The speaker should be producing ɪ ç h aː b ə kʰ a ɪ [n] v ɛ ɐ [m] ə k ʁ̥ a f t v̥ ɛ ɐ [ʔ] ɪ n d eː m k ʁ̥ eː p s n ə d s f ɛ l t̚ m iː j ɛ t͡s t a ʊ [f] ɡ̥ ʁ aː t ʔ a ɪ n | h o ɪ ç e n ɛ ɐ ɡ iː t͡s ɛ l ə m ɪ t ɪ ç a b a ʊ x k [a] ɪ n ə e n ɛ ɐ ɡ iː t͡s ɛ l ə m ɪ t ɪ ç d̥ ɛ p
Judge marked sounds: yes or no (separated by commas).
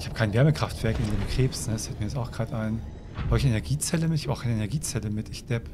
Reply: yes, yes, no, no, yes